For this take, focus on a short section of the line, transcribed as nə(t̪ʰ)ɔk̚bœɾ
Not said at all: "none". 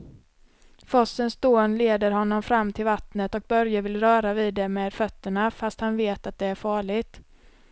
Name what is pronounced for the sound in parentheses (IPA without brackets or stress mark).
t̪